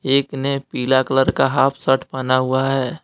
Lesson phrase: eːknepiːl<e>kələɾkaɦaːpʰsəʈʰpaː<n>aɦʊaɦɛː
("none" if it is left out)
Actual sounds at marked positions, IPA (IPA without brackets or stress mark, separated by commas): a, n